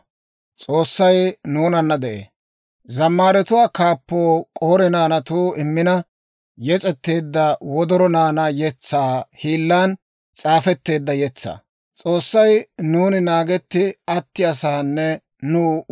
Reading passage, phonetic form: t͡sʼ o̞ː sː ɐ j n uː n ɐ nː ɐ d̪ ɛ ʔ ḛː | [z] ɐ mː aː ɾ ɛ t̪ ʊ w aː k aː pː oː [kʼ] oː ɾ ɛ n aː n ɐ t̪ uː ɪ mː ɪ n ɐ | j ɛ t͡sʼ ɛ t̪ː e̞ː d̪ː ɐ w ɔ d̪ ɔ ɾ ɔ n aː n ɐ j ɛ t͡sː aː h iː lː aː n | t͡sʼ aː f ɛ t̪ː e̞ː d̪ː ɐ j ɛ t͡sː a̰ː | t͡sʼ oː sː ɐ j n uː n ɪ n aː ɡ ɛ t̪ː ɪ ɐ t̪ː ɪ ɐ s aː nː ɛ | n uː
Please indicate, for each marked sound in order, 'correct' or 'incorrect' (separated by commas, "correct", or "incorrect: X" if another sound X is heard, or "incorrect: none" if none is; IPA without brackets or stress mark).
correct, correct